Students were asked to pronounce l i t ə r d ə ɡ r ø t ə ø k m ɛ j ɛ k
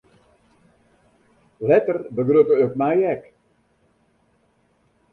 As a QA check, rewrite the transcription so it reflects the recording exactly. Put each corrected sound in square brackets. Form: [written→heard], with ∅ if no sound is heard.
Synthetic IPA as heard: l [i→ɛ] t ə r [d→b] ə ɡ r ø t ə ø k m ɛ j ɛ k

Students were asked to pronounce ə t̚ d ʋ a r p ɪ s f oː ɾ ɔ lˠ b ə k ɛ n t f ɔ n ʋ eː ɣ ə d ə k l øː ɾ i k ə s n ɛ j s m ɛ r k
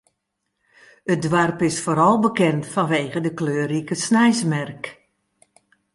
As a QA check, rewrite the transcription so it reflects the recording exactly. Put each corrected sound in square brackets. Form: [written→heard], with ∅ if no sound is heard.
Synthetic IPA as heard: ə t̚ d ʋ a r p ɪ s f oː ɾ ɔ lˠ b ə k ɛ n t f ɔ n ʋ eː ɣ ə d ə k l øː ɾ i k ə s n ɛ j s m ɛ r k

